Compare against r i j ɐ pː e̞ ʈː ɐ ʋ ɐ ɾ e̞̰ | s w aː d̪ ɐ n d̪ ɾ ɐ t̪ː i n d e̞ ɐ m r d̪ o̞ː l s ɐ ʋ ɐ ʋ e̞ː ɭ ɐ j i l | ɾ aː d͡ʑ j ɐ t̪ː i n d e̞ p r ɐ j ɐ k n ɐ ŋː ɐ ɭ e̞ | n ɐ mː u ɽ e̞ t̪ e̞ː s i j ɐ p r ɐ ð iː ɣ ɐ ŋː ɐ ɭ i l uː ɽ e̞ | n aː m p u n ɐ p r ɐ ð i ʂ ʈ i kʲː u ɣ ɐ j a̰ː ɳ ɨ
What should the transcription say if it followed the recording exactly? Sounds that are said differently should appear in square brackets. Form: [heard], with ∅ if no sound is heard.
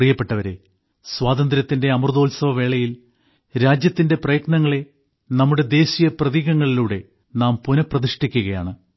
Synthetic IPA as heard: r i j ɐ pː e̞ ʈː ɐ ʋ ɐ ɾ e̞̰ | s w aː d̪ ɐ n d̪ ɾ ɐ t̪ː i n d e̞ ɐ m r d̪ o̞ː l s ɐ ʋ ɐ ʋ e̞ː ɭ ɐ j i l | ɾ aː d͡ʑ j ɐ t̪ː i n d e̞ p r ɐ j ɐ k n ɐ ŋː ɐ ɭ e̞ | n ɐ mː u ɽ e̞ [d̪] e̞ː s i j ɐ p r ɐ ð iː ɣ ɐ ŋː ɐ ɭ i l uː ɽ e̞ | n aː m p u n ɐ p r ɐ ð i ʂ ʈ i kʲː u ɣ ɐ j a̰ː ɳ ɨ